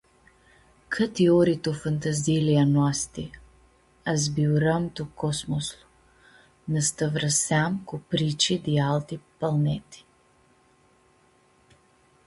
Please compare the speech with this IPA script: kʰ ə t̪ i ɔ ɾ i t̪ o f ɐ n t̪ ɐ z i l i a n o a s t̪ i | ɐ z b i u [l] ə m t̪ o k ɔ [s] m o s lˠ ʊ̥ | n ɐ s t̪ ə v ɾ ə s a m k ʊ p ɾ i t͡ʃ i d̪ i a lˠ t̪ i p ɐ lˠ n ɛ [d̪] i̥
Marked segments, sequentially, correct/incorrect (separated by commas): incorrect, correct, incorrect